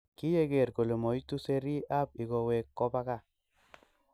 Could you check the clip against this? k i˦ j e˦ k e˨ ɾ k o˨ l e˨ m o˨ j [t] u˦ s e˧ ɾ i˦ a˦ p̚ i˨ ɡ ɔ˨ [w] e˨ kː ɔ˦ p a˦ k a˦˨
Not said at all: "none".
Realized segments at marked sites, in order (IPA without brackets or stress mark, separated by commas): t, w